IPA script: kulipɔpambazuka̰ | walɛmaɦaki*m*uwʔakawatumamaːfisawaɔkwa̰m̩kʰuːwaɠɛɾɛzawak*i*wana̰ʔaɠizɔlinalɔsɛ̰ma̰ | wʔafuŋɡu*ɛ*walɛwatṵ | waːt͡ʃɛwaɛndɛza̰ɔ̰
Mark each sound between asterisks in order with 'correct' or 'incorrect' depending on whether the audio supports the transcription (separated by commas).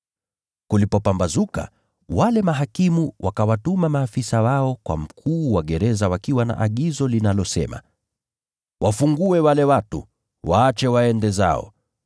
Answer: correct, correct, correct